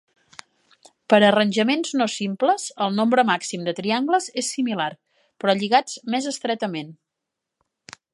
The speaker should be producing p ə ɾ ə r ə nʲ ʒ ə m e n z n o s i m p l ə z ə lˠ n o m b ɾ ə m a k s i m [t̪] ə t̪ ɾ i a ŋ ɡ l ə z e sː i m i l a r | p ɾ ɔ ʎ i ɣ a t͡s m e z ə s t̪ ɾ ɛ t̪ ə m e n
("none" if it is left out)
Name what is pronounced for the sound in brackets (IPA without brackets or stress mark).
d̪